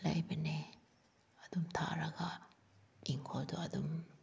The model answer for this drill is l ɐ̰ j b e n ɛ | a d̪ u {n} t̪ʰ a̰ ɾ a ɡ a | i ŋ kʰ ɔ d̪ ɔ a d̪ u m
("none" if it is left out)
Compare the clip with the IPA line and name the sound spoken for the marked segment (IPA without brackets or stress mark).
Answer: m